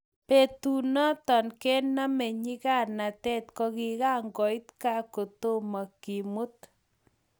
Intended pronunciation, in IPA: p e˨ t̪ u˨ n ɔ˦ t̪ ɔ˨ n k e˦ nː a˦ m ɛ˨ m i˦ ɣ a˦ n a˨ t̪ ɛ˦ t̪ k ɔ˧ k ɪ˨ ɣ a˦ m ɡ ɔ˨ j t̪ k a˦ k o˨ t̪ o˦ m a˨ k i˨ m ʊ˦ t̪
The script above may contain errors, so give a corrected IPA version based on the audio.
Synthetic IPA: p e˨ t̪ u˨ n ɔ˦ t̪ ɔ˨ n k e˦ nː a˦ m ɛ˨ ɲ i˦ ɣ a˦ n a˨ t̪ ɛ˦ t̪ k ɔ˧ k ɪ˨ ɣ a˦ ŋ ɡ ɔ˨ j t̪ k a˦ k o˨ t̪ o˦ m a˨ k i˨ m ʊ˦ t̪